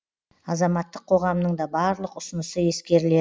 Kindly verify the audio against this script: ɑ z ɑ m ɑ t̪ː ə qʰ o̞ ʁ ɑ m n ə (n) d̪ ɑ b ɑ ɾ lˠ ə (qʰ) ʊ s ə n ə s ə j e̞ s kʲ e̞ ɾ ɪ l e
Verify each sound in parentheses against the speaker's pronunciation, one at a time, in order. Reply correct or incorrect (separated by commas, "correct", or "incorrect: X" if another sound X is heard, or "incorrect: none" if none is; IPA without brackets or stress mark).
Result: incorrect: ɴ, incorrect: q